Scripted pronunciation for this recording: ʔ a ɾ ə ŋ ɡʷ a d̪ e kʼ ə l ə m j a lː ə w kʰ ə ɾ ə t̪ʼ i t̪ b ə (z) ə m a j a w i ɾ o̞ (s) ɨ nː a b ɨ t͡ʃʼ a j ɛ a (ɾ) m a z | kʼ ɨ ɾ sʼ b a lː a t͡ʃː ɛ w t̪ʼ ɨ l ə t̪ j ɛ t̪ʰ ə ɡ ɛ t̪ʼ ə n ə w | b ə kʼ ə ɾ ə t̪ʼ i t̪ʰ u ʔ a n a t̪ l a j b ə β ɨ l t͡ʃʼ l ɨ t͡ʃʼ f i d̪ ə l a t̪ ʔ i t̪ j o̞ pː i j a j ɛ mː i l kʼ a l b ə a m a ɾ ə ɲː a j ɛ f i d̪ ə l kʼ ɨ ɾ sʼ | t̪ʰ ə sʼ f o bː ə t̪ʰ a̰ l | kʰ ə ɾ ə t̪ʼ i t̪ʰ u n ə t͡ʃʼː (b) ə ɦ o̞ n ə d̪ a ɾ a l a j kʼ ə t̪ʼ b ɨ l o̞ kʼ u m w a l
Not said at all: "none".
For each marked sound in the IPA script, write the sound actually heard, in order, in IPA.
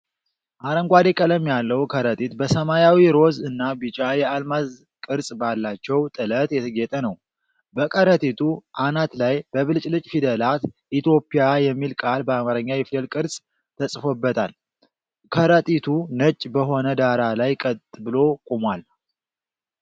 s, z, l, b

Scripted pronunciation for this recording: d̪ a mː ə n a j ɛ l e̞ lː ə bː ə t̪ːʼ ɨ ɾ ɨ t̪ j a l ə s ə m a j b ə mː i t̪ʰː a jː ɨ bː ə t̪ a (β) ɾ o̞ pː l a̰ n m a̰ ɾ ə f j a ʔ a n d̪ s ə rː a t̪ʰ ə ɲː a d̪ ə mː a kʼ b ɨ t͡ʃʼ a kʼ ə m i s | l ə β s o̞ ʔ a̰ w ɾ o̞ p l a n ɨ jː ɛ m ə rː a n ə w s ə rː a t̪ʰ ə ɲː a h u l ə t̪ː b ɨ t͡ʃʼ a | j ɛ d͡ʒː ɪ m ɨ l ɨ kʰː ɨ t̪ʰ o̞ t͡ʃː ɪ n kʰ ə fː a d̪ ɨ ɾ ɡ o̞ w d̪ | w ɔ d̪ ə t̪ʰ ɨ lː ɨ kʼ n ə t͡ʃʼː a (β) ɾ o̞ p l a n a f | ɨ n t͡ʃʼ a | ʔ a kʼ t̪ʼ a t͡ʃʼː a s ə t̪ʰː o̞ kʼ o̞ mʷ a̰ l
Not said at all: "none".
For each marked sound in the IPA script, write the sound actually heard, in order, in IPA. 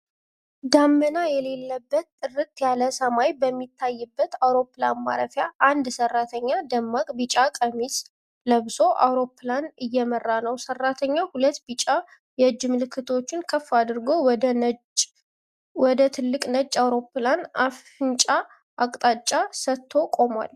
w, w

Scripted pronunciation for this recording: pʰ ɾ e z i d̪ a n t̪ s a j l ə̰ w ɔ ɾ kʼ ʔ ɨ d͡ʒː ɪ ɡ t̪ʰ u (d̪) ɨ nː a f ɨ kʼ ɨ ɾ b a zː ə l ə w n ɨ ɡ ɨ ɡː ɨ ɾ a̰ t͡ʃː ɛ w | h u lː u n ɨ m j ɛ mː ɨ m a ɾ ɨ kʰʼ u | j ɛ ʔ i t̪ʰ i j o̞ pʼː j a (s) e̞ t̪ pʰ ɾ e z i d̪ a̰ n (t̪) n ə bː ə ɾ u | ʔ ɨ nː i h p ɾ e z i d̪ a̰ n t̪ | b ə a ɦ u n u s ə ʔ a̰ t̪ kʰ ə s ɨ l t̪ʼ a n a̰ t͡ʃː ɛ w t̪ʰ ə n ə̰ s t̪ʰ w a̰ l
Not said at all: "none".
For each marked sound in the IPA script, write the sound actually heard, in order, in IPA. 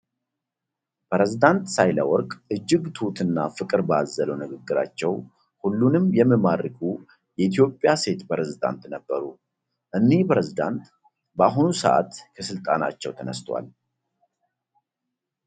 t̪, s, t̪

